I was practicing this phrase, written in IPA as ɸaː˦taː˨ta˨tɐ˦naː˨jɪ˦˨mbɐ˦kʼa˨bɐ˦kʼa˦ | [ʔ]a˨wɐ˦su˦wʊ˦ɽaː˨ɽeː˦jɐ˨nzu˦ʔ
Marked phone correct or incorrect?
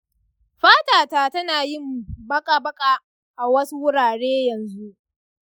correct